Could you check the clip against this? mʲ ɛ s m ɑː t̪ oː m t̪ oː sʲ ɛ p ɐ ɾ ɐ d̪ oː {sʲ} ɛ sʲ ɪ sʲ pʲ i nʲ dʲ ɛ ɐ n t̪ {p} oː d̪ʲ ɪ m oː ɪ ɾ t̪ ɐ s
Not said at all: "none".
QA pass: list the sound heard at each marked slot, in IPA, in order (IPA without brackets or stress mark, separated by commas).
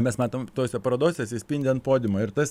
sʲ, p